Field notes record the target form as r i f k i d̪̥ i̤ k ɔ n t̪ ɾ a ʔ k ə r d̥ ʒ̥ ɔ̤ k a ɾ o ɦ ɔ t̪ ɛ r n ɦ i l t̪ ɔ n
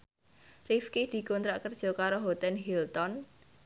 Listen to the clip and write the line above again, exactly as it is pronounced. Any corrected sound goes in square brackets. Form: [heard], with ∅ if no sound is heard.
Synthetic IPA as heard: r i f k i d̪̥ i̤ k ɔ n t̪ ɾ a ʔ k ə r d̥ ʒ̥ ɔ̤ k a ɾ o ɦ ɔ t̪ ɛ [∅] n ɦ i l t̪ ɔ n